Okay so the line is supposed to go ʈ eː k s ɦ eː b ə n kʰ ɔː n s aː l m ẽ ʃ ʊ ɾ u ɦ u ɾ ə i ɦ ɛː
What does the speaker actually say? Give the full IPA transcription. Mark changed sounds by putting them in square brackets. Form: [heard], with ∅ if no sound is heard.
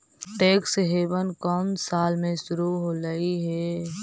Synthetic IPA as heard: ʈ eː k s ɦ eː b ə n [k] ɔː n s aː l m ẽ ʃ ʊ ɾ u ɦ [o] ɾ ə i ɦ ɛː